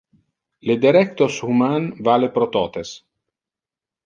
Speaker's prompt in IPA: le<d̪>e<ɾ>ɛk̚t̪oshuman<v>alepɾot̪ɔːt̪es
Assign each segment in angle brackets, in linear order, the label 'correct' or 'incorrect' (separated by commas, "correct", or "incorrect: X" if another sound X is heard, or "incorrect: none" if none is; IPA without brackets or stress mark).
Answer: correct, correct, correct